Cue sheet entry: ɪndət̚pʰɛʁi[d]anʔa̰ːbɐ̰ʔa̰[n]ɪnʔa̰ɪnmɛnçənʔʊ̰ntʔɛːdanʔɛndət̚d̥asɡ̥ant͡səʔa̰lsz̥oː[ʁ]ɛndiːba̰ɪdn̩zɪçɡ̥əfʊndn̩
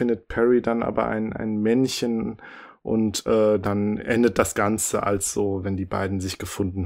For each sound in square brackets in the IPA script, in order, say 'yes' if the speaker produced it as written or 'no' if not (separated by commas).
yes, no, no